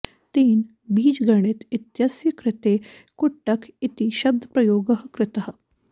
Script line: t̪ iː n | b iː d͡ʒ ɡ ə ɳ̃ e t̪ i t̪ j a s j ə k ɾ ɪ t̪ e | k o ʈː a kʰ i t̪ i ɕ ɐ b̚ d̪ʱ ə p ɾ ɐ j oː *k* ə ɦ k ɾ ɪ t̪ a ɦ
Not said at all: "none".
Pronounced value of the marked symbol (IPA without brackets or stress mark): ɡ